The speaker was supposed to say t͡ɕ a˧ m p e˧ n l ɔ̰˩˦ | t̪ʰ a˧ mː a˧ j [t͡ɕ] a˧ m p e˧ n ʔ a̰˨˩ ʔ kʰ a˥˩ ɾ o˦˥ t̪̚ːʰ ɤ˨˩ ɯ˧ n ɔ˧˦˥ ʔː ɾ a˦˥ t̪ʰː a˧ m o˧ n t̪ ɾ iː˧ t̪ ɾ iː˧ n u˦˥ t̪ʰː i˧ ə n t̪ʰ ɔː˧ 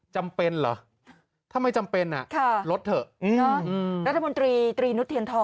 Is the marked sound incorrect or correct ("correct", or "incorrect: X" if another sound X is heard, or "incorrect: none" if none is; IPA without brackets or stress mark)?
correct